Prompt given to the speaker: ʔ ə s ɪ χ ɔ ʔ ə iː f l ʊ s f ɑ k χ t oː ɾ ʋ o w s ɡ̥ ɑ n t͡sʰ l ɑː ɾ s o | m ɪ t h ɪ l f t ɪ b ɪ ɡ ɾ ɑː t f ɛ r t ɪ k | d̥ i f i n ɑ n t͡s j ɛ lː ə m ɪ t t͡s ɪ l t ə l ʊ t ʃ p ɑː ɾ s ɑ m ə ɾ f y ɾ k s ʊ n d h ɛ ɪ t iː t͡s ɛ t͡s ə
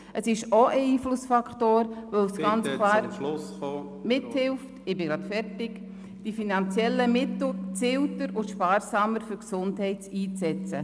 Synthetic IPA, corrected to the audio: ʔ ə s ɪ ʃ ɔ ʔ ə iː f l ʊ s f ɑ k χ t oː ɾ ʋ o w s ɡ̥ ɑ n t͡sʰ l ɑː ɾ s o | m ɪ t h ɪ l f t ɪ b ɪ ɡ ɾ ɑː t f ɛ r t ɪ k | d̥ i f i n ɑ n t͡s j ɛ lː ə m ɪ t t͡s ɪ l t ə ɾ ʊ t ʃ p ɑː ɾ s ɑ m ə ɾ f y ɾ k s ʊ n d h ɛ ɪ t iː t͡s ɛ t͡s ə